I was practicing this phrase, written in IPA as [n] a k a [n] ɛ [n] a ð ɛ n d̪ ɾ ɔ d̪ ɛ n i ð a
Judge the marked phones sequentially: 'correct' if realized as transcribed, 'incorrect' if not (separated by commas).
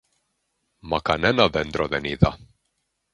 incorrect, correct, correct